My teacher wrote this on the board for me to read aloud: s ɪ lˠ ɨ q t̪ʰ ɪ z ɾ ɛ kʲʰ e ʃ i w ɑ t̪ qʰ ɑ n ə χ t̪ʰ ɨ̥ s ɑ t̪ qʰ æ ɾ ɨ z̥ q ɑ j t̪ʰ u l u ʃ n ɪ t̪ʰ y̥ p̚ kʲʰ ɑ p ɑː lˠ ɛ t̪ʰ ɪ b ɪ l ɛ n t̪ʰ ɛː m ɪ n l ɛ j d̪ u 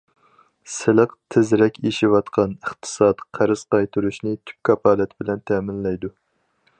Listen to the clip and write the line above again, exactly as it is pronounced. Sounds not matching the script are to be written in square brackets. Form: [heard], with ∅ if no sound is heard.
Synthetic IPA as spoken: s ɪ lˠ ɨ q t̪ʰ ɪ z ɾ ɛ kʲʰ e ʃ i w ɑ t̪ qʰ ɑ n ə χ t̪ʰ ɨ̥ s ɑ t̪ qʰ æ ɾ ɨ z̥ q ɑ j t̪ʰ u [ɾ] u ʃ n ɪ t̪ʰ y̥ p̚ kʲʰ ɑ p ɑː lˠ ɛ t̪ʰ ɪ b ɪ l ɛ n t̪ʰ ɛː m ɪ n l ɛ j d̪ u